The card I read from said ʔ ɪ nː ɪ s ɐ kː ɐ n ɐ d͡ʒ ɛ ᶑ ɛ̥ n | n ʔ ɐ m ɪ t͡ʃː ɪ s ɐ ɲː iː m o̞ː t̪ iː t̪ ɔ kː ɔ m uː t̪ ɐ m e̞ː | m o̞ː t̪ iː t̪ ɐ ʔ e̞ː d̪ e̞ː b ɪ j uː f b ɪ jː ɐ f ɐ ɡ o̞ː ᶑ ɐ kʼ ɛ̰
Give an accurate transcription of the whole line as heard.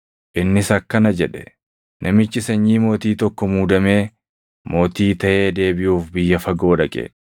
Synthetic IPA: ʔ ɪ nː ɪ s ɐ kː ɐ n ɐ d͡ʒ ɛ ᶑ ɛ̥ | n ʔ ɐ m ɪ t͡ʃː ɪ s ɐ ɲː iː m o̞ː t̪ iː t̪ ɔ kː ɔ m uː d̪ ɐ m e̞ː | m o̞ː t̪ iː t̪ ɐ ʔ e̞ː d̪ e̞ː b ɪ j uː f b ɪ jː ɐ f ɐ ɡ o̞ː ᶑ ɐ kʼ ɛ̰